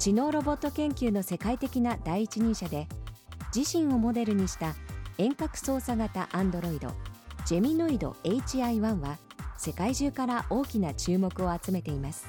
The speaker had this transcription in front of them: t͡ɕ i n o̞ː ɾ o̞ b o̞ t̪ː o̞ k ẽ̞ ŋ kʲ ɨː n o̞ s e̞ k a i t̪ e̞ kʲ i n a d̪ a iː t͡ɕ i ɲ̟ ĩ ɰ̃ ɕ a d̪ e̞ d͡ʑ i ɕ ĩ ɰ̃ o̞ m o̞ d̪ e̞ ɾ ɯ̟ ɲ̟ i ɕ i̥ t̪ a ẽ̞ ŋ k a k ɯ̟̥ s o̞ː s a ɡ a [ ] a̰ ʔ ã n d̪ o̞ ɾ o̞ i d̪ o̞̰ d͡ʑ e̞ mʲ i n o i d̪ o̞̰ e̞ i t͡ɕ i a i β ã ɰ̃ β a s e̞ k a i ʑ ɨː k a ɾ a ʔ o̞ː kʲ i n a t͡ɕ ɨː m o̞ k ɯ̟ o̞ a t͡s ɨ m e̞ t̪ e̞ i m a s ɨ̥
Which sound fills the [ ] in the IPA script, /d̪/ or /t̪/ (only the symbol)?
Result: t̪